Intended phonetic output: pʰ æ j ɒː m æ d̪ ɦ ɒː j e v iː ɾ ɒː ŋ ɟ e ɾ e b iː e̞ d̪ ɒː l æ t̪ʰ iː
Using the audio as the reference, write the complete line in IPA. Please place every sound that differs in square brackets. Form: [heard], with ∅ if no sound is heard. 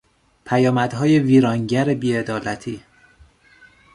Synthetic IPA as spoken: pʰ æ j ɒː m æ d̪ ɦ ɒː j e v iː ɾ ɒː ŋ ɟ [æ] ɾ e b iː e̞ d̪ ɒː l æ t̪ʰ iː